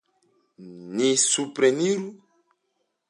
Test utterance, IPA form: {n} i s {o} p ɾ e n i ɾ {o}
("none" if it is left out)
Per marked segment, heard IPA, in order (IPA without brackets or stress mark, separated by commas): n, u, u